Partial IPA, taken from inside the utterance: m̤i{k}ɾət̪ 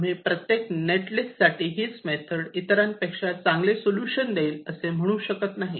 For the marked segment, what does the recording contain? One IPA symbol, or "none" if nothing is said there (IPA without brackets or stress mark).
p